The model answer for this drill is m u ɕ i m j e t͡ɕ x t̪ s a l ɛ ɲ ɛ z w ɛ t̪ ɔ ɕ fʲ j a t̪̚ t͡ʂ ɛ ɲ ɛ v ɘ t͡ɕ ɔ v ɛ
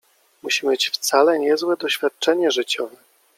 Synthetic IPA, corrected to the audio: m u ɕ i m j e t͡ɕ f t̪ s a l ɛ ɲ ɛ z w ɛ d̪ ɔ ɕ fʲ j a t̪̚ t͡ʂ ɛ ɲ ɛ ʐ ɘ t͡ɕ ɔ v ɛ